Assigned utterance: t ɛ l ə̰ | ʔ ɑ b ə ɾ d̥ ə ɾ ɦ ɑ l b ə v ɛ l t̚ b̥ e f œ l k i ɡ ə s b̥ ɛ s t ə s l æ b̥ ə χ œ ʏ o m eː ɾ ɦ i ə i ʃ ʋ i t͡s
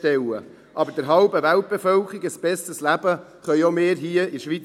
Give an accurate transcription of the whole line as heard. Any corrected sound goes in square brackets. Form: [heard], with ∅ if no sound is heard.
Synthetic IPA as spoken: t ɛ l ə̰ | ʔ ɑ b ə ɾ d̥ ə ɾ ɦ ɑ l b ə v [æ] l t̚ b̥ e f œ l k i ɡ ə s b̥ ɛ s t ə s l æ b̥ ə χ œ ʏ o m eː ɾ ɦ i ə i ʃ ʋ i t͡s